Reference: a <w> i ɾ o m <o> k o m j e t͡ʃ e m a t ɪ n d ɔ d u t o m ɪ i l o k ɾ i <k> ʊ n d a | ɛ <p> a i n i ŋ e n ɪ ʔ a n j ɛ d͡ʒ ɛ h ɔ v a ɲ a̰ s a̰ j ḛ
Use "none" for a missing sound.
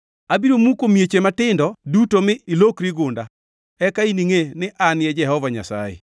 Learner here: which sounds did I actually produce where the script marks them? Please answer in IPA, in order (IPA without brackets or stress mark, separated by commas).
b, u, ɡ, k